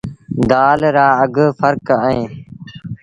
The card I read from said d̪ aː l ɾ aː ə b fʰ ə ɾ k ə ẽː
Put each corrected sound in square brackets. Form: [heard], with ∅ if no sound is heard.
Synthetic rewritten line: d̪ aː l ɾ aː ə [ɡ] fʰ ə ɾ k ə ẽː